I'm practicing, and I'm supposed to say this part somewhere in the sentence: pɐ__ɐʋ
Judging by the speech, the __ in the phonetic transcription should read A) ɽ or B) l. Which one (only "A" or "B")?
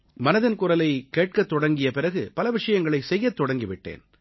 B